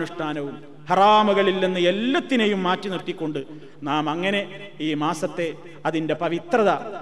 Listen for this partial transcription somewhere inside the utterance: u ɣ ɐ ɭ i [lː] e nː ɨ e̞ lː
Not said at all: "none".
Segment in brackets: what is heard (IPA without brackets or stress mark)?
lː